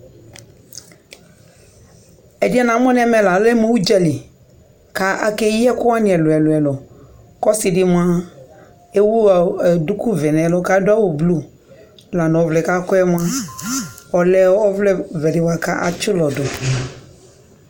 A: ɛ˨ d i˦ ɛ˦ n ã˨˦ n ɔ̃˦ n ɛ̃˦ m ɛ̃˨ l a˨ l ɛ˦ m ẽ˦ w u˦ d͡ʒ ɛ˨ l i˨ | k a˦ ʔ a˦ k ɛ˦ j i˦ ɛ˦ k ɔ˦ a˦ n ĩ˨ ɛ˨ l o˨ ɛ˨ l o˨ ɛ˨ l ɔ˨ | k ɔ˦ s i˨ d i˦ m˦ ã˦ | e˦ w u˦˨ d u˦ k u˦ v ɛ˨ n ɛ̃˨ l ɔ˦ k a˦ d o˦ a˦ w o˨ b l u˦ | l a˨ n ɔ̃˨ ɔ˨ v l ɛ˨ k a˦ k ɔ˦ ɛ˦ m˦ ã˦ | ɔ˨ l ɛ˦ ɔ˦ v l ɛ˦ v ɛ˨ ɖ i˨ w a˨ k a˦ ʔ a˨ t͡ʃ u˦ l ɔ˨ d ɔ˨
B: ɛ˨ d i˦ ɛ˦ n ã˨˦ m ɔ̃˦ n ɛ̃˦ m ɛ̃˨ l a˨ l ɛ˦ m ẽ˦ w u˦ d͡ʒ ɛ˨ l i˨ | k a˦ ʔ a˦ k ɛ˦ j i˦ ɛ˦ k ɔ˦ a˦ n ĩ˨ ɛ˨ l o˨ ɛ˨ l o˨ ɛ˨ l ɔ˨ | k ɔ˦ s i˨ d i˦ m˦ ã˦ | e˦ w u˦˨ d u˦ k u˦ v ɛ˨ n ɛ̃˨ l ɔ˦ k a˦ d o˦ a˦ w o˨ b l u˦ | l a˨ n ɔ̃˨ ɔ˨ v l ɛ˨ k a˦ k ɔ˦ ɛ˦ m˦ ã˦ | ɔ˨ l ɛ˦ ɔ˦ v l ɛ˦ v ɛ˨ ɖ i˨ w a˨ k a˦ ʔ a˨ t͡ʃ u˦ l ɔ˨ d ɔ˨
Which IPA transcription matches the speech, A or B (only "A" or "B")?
B